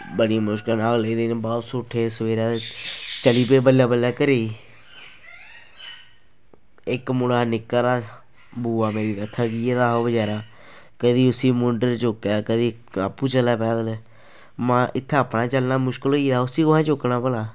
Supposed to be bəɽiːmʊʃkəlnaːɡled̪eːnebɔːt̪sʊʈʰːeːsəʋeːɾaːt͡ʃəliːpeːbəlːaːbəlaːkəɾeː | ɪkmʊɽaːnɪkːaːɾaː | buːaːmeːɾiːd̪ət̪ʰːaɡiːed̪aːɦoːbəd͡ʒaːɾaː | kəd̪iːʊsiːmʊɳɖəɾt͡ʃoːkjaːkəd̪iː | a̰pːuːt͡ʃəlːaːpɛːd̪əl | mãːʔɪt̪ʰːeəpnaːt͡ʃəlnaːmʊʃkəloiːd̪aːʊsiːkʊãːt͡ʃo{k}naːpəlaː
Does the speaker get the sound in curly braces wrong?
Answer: no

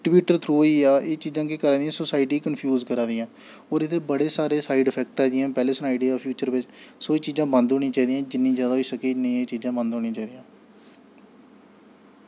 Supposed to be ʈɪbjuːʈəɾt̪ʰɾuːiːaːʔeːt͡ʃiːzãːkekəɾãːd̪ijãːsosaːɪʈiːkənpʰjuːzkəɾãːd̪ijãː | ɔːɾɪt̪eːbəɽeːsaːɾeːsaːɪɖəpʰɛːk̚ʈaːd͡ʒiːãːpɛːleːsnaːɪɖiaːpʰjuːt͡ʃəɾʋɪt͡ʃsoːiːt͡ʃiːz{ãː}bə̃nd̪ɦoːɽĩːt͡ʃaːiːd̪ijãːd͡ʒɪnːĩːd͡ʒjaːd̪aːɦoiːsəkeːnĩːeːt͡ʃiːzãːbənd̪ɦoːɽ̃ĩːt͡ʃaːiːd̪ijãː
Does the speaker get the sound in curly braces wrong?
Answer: no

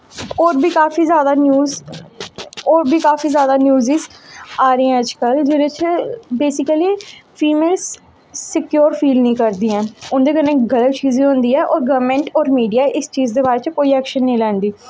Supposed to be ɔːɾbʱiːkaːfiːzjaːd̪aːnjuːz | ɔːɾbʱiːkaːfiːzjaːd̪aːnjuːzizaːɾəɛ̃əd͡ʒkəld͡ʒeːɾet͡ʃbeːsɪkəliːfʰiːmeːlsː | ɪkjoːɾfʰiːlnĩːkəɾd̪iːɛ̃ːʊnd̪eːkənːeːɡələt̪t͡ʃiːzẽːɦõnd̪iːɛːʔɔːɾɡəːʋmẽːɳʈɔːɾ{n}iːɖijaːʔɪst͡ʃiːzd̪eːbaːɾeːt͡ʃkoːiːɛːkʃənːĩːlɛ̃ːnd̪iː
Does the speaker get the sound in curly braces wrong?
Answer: yes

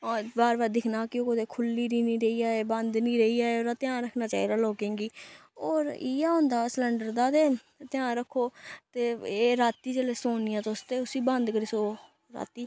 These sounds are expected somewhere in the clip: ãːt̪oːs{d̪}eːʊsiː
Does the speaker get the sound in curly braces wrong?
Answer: yes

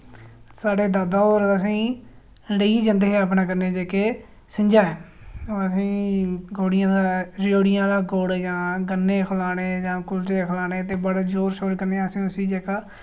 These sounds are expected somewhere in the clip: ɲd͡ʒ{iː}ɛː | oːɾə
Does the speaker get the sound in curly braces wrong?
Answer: yes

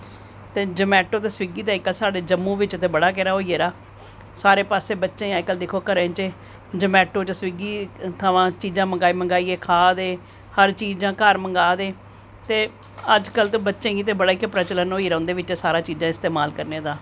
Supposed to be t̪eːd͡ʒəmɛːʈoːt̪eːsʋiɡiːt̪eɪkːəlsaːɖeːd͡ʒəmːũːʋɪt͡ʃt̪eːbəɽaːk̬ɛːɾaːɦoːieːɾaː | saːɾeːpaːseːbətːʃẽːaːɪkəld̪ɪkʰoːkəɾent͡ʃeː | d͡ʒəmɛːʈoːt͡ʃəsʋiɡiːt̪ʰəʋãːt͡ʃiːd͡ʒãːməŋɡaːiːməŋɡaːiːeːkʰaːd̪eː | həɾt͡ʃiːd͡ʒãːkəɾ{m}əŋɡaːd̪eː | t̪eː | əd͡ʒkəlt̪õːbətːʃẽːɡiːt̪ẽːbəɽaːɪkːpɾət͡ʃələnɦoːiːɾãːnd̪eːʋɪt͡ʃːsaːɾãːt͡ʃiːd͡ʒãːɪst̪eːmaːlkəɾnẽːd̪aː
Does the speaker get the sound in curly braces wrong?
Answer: no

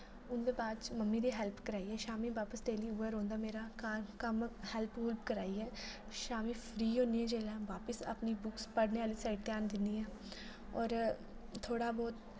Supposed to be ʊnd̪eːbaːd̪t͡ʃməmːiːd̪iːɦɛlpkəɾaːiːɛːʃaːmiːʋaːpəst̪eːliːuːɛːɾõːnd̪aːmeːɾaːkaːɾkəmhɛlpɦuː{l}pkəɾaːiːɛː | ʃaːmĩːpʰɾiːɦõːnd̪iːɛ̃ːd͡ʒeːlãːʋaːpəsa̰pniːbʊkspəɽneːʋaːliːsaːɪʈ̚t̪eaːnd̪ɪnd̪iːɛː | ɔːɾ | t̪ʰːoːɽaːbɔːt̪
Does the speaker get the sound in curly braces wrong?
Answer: no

